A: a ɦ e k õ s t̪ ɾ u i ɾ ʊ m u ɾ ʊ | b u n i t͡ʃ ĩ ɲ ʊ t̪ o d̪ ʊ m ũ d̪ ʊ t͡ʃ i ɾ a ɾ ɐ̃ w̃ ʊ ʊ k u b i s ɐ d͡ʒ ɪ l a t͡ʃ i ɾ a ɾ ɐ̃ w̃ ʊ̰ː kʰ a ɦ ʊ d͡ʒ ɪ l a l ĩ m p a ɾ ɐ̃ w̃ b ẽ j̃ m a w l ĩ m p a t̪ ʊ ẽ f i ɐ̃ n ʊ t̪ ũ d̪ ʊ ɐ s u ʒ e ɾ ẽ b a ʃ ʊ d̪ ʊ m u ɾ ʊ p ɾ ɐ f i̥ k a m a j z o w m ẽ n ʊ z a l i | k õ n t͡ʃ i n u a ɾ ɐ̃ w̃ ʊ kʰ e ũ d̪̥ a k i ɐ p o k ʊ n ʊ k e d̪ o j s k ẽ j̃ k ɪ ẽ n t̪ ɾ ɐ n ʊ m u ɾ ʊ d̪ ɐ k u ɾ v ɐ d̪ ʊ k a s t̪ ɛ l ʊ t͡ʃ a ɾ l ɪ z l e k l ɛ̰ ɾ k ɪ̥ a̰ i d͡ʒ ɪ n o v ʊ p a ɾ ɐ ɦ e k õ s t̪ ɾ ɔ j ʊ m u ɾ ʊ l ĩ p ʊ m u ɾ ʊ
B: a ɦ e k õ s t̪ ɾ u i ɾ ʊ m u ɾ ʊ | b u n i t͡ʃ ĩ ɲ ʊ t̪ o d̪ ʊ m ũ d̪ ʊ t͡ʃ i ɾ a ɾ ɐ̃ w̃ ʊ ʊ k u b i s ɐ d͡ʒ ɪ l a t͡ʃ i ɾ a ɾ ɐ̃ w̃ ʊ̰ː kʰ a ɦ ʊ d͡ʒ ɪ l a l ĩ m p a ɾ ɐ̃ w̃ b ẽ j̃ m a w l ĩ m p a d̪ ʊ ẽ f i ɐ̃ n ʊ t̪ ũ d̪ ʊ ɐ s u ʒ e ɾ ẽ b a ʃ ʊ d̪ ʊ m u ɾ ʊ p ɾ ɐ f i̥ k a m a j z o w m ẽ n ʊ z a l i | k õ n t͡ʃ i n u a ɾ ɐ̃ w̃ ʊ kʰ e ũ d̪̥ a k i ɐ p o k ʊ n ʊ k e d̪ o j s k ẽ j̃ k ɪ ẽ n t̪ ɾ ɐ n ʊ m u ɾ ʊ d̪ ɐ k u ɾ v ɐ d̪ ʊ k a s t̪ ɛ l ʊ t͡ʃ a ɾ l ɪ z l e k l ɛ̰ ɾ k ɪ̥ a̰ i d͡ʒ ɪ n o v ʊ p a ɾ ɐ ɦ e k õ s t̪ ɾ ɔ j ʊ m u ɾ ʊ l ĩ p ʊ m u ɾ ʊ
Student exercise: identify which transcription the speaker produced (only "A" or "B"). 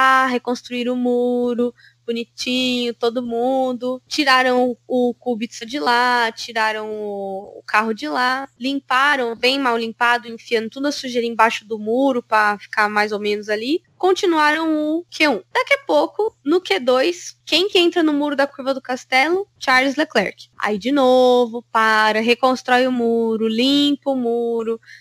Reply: B